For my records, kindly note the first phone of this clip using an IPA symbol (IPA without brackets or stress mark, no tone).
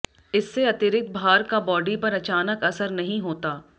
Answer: ɪ